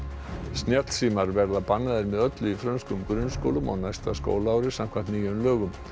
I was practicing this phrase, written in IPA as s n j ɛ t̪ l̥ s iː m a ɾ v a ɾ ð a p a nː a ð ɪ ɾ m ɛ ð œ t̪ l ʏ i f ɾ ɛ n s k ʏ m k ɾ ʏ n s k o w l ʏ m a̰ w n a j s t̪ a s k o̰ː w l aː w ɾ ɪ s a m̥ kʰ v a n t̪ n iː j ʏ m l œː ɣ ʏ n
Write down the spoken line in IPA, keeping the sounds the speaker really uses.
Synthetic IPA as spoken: s n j ɛ t̪ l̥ s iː m a ɾ v ɛ ɾ ð a p a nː a ð ɪ ɾ m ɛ ð œ t̪ l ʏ i f ɾ œ n s k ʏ m k ɾ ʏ n s k o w l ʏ m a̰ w n a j s t̪ a s k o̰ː w l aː w ɾ ɪ s a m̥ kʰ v a n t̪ n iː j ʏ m l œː ɣ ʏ m